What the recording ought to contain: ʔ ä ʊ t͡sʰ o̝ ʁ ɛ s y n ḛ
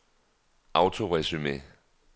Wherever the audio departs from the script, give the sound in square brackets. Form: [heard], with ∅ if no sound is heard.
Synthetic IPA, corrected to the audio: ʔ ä ʊ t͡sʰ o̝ ʁ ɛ s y [m] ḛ